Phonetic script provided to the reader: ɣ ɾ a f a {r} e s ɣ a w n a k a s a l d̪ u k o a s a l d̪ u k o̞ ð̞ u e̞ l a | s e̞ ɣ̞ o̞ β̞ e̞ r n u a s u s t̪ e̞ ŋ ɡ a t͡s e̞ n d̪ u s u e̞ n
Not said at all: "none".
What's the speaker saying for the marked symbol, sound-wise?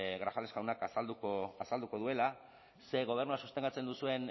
l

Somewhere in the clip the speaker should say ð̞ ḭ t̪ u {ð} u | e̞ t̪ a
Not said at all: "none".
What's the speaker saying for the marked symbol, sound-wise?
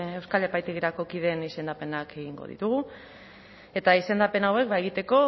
ɣ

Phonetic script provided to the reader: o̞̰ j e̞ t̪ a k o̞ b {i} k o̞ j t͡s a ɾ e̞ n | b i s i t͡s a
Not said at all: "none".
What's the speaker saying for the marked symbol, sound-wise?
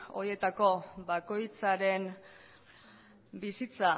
a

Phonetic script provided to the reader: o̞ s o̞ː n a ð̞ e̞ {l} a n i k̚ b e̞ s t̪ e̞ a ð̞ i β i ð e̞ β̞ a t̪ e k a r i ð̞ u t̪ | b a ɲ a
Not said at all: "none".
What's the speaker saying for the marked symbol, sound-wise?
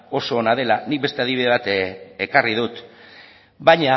l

